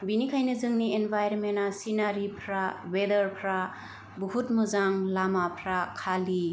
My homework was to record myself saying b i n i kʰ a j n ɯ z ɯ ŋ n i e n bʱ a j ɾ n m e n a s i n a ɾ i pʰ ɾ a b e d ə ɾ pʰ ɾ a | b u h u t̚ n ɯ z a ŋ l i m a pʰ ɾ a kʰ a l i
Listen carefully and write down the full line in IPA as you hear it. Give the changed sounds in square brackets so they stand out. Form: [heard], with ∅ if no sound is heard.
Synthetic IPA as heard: b i n i kʰ a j n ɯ z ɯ ŋ n i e n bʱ a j ɾ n m e n a s i n a ɾ i pʰ ɾ a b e d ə ɾ pʰ ɾ a | b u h u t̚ [m] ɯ z a ŋ l [a] m a pʰ ɾ a kʰ a l i